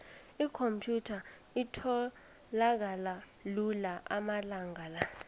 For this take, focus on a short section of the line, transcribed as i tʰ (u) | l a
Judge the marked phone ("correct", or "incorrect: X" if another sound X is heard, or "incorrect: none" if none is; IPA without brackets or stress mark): incorrect: ɔ